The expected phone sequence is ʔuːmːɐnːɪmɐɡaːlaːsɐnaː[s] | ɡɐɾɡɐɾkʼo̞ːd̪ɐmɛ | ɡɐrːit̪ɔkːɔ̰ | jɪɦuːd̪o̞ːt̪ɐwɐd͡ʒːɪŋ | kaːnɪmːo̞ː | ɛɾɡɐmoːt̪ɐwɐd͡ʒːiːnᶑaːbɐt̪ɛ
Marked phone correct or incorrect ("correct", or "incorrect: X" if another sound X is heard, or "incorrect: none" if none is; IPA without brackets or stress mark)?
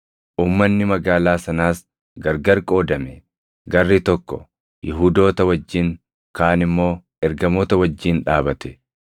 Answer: correct